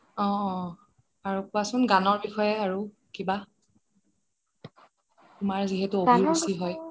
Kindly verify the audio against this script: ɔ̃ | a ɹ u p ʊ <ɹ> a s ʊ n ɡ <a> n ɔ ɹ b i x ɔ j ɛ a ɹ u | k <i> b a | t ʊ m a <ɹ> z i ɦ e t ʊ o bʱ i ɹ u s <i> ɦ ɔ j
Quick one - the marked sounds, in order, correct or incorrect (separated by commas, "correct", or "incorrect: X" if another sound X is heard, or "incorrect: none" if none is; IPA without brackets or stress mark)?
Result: incorrect: none, correct, correct, correct, correct